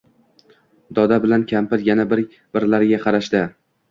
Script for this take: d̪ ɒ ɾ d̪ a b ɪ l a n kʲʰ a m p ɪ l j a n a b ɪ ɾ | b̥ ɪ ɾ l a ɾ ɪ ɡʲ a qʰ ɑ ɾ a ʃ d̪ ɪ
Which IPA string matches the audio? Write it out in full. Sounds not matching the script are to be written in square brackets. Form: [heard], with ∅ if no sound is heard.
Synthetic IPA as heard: d̪ ɒ [∅] d̪ a b ɪ l a n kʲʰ a m p ɪ [ɾ] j a n a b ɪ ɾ | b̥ ɪ ɾ l a ɾ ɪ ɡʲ a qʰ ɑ ɾ a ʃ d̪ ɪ